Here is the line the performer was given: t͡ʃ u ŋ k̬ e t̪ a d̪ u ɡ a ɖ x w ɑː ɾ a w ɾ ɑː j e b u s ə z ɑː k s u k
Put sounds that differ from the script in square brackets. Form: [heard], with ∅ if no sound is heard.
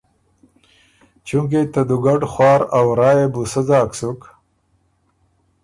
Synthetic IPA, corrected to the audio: t͡ʃ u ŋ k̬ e t̪ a d̪ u ɡ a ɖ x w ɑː ɾ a w ɾ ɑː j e b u s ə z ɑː k s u k